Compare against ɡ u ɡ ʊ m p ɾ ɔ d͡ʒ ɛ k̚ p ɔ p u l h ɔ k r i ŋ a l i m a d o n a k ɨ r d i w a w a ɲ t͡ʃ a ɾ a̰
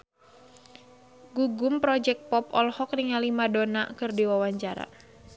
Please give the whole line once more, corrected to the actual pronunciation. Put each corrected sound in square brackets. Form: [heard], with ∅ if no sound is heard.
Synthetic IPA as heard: ɡ u ɡ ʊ m p ɾ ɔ d͡ʒ ɛ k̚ p ɔ p [ɔ] l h ɔ k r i ŋ a l i m a d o n a k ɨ r d i w a w a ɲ t͡ʃ a ɾ a̰